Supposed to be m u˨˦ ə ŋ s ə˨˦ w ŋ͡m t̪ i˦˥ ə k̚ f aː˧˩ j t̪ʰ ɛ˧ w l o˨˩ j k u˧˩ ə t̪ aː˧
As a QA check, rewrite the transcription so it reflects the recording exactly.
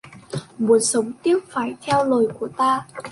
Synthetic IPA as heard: m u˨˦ ə n s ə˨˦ w ŋ͡m t̪ i˦˥ ə p̚ f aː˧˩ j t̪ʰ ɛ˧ w l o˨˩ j k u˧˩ ə t̪ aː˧